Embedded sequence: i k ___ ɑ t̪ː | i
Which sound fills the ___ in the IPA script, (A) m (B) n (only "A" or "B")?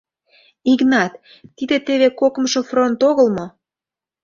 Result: B